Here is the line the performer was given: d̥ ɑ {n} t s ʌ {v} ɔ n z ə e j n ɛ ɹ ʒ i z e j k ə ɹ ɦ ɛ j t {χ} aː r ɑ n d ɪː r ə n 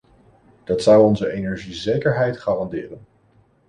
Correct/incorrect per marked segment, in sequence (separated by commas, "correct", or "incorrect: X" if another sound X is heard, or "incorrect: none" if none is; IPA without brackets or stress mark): incorrect: none, incorrect: w, correct